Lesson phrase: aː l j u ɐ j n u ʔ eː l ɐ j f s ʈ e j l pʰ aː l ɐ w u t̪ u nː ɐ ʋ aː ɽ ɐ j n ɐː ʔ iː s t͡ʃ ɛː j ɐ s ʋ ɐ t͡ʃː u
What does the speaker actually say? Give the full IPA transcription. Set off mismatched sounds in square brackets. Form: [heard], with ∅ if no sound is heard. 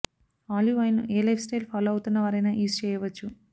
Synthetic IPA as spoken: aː l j u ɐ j n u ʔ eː l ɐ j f s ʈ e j l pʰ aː l ɐ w u t̪ u nː ɐ ʋ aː [ɾ] ɐ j n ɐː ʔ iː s t͡ʃ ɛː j ɐ [∅] ʋ ɐ t͡ʃː u